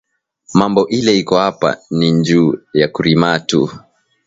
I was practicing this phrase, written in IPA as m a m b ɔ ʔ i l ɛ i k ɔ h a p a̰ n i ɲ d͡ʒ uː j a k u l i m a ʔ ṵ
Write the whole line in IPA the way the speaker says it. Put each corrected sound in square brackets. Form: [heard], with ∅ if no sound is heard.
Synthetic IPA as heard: m a m b ɔ ʔ i l ɛ i k ɔ h a p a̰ n i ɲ d͡ʒ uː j a k u [ɾ] i m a [t] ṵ